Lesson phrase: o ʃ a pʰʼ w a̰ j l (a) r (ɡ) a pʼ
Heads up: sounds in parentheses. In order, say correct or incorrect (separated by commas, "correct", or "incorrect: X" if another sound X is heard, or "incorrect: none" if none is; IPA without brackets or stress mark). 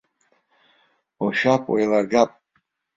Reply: correct, correct